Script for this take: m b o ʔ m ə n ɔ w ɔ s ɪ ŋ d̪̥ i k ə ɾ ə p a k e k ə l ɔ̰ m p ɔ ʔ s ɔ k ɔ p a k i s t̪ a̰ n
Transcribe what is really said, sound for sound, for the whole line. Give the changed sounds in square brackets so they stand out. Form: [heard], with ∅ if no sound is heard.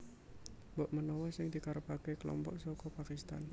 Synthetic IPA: m b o ʔ m ə n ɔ w ɔ s ɪ ŋ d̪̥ i k [a] ɾ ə p a k e k ə l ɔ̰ m p ɔ ʔ s ɔ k ɔ p a k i s t̪ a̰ n